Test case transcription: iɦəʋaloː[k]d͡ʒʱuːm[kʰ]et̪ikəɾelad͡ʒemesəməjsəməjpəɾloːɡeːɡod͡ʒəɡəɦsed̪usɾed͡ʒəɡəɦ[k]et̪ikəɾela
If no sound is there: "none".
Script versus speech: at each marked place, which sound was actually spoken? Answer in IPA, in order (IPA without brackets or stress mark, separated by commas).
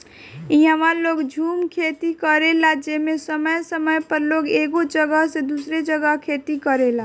ɡ, kʰ, kʰ